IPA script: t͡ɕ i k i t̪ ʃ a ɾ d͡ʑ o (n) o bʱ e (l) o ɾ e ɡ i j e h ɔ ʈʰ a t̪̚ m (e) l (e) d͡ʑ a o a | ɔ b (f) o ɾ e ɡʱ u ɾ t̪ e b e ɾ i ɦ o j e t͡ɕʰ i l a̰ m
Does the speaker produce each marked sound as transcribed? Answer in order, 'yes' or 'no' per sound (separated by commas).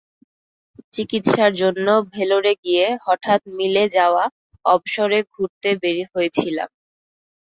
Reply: no, yes, no, yes, no